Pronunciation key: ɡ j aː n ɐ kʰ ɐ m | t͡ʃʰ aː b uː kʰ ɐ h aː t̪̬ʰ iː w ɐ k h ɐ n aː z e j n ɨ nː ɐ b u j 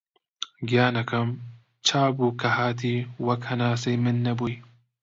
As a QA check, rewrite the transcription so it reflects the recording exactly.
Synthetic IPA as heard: ɡ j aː n ɐ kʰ ɐ m | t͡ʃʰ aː b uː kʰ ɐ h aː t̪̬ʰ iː w ɐ k h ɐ n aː s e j m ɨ nː ɐ b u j